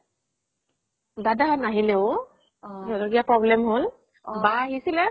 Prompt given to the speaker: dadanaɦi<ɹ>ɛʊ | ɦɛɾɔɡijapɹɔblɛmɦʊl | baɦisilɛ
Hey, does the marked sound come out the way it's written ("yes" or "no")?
no